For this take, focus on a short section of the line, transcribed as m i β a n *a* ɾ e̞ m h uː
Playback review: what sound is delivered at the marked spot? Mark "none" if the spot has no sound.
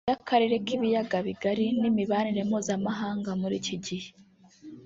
i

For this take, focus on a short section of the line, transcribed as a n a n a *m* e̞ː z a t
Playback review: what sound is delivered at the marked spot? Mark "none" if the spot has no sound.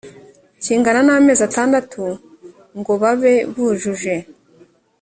m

